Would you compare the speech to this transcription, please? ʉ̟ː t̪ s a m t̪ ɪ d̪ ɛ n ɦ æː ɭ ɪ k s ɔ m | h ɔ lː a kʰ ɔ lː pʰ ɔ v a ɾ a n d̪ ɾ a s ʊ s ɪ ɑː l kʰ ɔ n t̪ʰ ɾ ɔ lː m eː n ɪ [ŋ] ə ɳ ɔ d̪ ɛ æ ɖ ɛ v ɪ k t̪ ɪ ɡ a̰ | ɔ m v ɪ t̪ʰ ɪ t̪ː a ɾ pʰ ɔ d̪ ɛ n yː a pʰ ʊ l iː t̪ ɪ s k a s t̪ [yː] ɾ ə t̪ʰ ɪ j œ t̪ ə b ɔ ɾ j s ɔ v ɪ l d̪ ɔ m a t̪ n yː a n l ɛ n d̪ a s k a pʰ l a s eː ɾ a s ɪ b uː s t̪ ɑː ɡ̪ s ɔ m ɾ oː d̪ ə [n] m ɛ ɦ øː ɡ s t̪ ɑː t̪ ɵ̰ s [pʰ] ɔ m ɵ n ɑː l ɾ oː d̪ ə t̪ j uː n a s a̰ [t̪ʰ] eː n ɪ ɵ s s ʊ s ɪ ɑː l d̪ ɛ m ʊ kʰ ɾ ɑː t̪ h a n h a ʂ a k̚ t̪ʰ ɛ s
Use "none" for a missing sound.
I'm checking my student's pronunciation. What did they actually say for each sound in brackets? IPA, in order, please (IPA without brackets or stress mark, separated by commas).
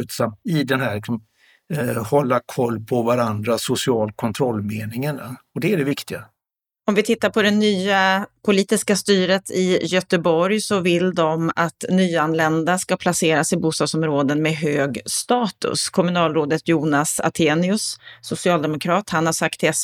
ŋ, yː, n, kʰ, t̪ʰ